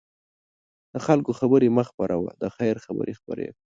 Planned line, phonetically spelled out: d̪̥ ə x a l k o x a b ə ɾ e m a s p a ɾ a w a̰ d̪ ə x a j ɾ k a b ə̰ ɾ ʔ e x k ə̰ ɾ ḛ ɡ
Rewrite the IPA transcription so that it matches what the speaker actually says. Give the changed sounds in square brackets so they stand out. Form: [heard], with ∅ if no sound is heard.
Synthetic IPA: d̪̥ ə x a l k o x a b ə ɾ e m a [x] p a ɾ a w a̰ d̪ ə x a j ɾ [x] a b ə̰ ɾ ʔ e x [p] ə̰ ɾ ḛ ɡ